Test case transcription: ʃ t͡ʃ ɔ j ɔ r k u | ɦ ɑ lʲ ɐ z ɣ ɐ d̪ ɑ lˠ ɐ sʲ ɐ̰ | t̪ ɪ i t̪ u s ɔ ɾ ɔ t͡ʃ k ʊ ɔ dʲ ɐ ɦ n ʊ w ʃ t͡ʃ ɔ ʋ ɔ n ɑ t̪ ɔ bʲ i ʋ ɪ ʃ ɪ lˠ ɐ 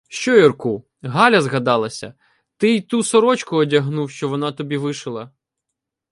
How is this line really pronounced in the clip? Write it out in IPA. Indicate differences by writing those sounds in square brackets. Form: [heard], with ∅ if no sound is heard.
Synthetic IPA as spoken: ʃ t͡ʃ ɔ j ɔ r k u | ɦ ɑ lʲ ɐ z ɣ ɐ d̪ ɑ lˠ ɐ sʲ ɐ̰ | t̪ ɪ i t̪ u s ɔ ɾ ɔ t͡ʃ k ʊ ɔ dʲ ɐ ɦ n [u] w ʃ t͡ʃ ɔ ʋ ɔ n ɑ t̪ ɔ bʲ i ʋ ɪ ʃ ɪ lˠ ɐ